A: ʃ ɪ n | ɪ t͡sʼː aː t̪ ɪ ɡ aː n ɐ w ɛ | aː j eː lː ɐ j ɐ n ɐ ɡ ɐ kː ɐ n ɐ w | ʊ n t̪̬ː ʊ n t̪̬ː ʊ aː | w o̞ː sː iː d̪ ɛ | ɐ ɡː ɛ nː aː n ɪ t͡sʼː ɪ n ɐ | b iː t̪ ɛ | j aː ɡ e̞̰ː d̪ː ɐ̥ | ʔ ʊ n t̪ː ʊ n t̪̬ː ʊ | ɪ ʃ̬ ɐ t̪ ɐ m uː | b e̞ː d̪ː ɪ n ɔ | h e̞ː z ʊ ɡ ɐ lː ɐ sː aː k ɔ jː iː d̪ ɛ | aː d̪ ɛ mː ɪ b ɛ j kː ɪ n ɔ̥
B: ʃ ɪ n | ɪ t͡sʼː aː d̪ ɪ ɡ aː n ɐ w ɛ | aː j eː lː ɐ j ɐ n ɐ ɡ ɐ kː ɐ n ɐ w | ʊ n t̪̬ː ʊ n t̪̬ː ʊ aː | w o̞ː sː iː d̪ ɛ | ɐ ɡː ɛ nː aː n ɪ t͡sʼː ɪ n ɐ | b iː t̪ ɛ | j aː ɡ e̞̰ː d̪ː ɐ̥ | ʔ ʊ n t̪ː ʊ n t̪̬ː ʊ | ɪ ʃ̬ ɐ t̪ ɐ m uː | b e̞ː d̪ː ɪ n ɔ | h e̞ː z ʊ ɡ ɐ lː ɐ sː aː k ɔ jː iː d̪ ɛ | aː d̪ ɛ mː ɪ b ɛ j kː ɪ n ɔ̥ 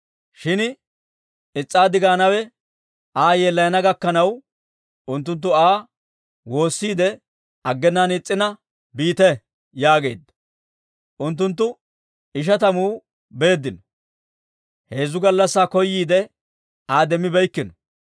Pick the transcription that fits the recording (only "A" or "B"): B